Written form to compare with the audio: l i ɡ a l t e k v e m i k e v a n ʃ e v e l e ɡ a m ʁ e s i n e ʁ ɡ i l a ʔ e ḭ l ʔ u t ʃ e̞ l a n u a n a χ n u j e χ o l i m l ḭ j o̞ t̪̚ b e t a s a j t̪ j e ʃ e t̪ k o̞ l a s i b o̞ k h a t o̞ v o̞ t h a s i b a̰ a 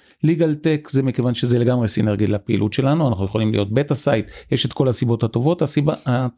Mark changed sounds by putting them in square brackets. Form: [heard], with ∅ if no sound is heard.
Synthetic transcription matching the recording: l i ɡ a l t e k [z] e m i k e v a n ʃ e [z] e l e ɡ a m ʁ e s i n e ʁ ɡ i l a [p] e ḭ l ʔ u t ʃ e̞ l a n u a n a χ n u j e χ o l i m l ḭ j o̞ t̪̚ b e t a s a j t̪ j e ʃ e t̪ k o̞ l a s i b o̞ [t] h a t o̞ v o̞ t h a s i b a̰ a